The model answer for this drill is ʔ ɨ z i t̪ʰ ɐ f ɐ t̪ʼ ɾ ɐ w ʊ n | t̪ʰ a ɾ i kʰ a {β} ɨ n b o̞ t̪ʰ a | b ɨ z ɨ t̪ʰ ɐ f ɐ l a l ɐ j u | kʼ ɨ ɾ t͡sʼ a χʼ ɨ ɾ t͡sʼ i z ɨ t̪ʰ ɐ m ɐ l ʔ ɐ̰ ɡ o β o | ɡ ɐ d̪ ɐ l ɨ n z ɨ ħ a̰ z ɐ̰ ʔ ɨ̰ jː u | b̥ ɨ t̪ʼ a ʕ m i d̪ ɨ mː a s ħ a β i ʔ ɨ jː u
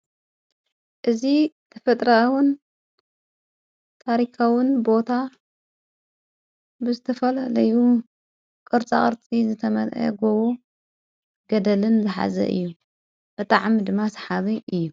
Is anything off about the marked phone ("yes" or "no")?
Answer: yes